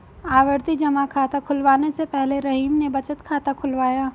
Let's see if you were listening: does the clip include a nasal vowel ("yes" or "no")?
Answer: no